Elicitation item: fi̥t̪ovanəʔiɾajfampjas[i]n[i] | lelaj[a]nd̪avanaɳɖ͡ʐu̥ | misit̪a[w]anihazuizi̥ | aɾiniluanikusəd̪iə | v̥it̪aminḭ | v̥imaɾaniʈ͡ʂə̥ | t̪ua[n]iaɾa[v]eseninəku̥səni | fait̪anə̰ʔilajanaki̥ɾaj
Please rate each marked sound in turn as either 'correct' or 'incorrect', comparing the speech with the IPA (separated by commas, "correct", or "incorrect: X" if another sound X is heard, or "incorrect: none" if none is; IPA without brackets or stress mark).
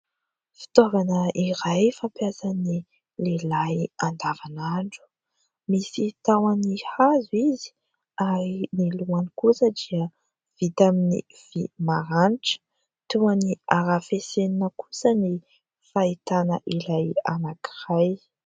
incorrect: a, correct, correct, correct, correct, incorrect: f